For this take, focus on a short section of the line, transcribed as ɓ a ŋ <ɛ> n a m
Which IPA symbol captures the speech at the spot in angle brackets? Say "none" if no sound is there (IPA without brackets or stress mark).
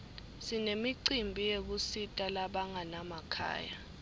a